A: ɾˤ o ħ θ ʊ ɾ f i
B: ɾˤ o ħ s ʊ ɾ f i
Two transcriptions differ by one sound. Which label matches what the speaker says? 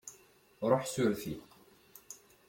B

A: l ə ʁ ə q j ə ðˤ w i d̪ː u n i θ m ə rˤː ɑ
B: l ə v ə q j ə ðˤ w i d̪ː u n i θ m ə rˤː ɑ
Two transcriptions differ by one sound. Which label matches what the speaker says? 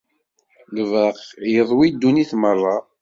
B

